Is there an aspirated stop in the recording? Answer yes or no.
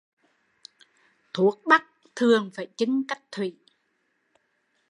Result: yes